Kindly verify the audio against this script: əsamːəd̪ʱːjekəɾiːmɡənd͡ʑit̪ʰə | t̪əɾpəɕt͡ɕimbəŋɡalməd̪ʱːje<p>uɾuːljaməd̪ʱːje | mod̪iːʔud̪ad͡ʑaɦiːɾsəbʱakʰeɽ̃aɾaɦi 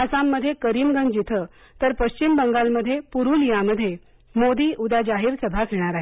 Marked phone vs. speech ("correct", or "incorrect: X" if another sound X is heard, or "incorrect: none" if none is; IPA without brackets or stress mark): correct